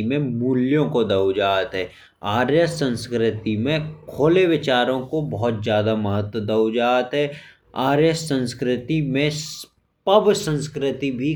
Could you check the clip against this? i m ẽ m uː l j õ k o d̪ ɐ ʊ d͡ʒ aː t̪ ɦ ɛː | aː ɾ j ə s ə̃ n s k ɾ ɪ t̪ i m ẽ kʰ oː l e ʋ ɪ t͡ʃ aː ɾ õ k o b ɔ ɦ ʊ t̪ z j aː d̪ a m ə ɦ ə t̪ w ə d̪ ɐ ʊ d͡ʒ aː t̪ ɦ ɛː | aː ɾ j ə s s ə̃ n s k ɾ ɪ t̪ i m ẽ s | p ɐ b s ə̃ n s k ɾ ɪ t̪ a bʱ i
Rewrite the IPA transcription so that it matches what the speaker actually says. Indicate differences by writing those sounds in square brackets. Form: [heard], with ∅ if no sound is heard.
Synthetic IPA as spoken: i m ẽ m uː l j õ k o d̪ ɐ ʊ d͡ʒ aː t̪ ɦ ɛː | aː ɾ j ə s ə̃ n s k ɾ ɪ t̪ i m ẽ kʰ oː l e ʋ ɪ t͡ʃ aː ɾ õ k o b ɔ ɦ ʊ t̪ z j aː d̪ a m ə ɦ ə t̪ w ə d̪ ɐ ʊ d͡ʒ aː t̪ ɦ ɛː | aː ɾ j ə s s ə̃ n s k ɾ ɪ t̪ i m ẽ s | p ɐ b s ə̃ n s k ɾ ɪ t̪ [i] bʱ i